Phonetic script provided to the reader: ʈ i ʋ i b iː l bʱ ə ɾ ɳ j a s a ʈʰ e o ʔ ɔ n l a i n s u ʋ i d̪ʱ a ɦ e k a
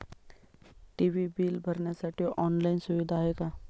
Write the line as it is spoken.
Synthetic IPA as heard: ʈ i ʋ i b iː l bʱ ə ɾ ɳ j a s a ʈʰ i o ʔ ɔ n l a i n s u ʋ i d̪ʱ a ɦ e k a